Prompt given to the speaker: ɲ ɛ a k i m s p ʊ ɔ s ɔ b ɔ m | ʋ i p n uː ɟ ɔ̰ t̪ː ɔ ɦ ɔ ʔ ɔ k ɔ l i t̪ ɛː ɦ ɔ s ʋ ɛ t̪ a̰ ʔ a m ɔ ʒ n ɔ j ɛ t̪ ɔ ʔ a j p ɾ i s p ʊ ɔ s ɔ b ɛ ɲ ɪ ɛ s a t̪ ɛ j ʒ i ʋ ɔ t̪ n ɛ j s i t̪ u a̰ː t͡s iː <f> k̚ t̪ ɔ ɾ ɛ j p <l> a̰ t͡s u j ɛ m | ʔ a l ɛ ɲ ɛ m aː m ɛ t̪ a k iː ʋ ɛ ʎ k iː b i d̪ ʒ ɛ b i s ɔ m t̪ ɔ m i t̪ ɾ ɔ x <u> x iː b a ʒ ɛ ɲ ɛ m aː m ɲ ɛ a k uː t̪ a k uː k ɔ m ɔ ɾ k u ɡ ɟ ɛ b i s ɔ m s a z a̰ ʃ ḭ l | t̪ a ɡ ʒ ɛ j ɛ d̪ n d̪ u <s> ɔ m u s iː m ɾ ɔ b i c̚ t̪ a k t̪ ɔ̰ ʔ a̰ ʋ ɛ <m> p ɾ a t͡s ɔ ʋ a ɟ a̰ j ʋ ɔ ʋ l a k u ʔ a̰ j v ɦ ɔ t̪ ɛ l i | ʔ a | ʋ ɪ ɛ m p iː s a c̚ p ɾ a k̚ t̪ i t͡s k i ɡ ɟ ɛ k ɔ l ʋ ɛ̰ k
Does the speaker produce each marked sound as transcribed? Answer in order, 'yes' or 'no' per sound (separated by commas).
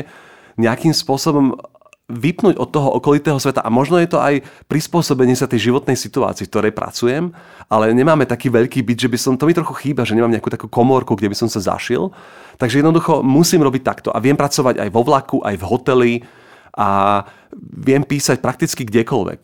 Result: yes, no, yes, no, yes